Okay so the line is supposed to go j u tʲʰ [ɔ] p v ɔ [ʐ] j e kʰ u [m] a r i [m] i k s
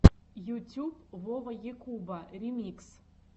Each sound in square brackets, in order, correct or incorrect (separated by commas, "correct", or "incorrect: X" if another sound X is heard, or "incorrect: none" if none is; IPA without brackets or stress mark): incorrect: u, incorrect: ʁ, incorrect: b, correct